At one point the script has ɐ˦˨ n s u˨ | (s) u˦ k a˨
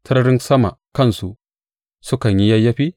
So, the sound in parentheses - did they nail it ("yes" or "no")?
yes